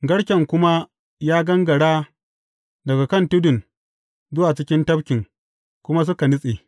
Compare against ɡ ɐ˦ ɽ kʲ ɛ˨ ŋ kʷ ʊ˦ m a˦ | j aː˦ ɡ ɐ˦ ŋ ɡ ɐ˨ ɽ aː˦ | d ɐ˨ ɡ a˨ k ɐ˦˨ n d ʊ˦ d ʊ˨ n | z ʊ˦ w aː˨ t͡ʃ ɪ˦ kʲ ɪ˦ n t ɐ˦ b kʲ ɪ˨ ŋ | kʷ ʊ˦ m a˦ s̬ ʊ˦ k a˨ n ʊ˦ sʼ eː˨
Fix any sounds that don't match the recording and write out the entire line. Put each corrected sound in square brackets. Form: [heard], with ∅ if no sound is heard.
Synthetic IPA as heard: ɡ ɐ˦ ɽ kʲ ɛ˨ ŋ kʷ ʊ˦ m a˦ | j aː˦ ɡ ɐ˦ ŋ ɡ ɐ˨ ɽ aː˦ | d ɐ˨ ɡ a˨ k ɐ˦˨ n [t] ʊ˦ d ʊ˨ n | z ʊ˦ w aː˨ t͡ʃ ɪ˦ kʲ ɪ˦ n t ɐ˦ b kʲ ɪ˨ ŋ | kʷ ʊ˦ m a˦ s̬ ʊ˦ k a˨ n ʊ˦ sʼ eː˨